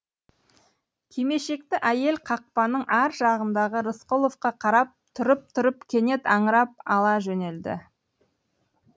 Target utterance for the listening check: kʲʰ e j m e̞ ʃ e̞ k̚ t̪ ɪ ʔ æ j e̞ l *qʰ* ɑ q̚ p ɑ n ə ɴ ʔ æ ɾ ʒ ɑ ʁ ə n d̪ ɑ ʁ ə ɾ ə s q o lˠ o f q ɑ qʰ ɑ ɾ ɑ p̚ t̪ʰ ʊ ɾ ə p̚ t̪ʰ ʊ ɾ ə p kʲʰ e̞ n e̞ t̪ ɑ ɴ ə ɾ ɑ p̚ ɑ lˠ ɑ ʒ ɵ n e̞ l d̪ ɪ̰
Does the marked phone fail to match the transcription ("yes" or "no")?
no